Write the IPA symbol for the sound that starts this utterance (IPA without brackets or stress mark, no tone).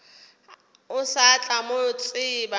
ʊ